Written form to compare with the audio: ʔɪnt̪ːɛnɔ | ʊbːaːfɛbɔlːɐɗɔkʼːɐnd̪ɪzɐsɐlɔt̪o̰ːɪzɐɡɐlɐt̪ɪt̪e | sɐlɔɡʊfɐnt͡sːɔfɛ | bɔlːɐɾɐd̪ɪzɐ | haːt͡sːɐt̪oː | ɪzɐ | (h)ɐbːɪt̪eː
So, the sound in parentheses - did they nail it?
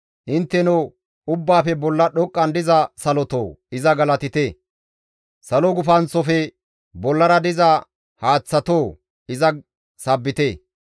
no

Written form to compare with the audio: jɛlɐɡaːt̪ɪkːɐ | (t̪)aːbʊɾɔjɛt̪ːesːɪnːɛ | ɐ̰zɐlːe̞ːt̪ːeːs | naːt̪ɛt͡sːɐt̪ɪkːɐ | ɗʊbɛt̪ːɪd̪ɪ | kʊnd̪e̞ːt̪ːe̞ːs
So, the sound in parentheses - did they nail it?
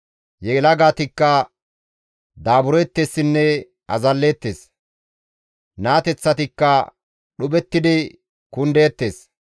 no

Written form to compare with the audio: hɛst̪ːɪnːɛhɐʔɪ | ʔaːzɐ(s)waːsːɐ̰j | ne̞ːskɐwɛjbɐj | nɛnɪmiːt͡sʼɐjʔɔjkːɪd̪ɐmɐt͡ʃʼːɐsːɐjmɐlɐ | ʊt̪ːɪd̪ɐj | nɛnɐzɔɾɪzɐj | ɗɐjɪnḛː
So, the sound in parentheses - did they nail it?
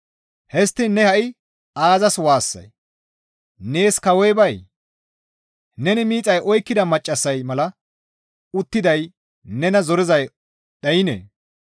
yes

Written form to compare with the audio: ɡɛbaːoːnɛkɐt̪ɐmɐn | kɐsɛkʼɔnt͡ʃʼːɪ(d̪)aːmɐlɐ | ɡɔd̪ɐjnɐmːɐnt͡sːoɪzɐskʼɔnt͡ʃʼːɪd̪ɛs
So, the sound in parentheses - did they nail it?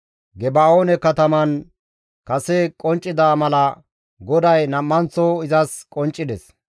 yes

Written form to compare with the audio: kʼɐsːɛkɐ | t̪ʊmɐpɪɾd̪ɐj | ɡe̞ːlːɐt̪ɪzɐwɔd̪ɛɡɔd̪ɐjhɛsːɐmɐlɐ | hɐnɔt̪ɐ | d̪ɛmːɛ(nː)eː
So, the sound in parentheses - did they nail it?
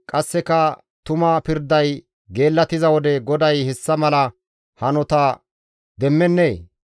yes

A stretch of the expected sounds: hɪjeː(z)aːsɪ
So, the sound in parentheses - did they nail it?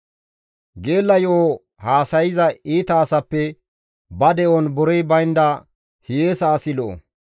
no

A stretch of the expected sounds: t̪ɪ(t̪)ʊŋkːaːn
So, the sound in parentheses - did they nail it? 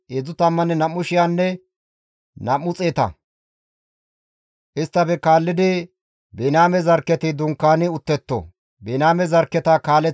no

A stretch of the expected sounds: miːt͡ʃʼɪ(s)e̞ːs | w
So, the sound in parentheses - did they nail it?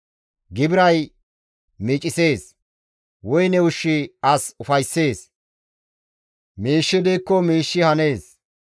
yes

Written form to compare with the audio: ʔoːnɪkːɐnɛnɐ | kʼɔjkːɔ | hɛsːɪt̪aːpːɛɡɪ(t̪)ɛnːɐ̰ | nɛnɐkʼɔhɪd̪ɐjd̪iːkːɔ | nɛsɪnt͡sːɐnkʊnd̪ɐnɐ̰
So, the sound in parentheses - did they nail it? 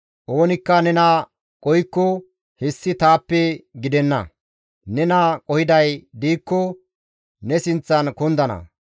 no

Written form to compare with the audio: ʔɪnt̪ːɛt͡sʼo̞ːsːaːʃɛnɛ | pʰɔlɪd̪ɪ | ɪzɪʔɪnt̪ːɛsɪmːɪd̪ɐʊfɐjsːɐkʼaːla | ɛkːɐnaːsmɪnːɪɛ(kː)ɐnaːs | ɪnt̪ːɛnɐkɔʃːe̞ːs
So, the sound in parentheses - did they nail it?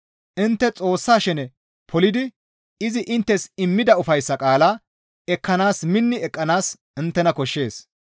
no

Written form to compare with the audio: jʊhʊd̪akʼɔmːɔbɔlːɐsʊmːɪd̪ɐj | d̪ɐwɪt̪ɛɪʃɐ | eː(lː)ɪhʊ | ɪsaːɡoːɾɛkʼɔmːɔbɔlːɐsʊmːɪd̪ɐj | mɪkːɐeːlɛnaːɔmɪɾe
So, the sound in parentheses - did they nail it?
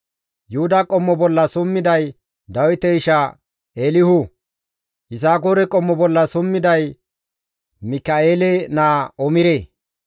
no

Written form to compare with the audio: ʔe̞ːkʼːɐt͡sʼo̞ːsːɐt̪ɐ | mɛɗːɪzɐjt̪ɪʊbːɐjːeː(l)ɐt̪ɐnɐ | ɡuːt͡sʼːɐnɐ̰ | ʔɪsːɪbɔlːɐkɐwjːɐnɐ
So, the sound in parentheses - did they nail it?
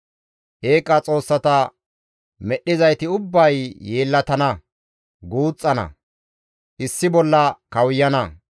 no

